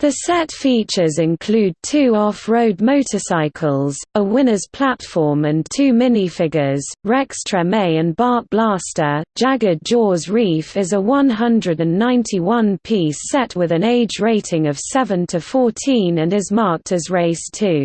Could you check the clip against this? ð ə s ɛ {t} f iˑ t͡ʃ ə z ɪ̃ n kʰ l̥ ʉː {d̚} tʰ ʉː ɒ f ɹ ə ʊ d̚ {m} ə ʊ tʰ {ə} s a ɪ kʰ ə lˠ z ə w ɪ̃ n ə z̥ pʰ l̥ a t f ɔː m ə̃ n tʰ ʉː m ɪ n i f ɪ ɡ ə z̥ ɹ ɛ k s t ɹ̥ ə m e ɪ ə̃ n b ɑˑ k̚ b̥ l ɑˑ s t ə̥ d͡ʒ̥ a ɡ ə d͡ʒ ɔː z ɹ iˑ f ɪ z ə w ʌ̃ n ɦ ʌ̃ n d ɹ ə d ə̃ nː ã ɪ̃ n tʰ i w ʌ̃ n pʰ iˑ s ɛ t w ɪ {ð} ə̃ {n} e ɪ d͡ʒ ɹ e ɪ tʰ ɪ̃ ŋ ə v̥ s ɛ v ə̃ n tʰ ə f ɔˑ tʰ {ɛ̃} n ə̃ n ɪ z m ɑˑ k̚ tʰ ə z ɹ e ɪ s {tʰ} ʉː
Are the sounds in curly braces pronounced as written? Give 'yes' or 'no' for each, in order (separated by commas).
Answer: yes, yes, yes, yes, yes, yes, no, yes